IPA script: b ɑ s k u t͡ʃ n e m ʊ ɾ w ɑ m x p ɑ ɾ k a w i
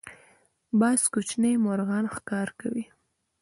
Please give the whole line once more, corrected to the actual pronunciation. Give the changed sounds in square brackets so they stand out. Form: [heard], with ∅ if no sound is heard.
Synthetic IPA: b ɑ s k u t͡ʃ n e m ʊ ɾ [ɣ] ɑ [n] x [k] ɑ ɾ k a w i